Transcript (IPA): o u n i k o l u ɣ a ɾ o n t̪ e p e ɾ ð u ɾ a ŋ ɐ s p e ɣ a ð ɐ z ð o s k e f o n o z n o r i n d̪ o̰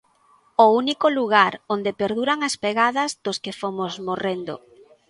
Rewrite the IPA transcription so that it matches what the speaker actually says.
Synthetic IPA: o u n i k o l u ɣ a ɾ o n d̪ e p e ɾ ð u ɾ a ŋ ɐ s p e ɣ a ð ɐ z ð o s k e f o m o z m o r e n d̪ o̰